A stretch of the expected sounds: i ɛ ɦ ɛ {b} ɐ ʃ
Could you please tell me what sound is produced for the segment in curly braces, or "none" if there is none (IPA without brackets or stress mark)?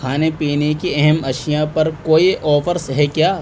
m